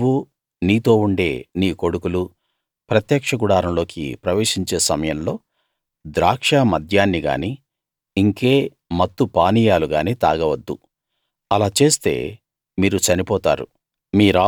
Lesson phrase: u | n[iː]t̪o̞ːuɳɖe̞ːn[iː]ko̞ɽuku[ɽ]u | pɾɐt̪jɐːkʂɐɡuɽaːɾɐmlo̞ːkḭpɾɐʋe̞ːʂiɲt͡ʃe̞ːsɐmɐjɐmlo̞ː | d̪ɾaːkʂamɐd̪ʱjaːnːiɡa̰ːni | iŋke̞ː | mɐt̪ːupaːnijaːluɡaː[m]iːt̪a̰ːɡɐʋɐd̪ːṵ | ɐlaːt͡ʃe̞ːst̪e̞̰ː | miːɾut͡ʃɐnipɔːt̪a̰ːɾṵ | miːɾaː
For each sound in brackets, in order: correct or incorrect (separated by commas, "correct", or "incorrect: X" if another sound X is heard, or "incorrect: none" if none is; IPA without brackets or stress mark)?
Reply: correct, correct, incorrect: l, incorrect: n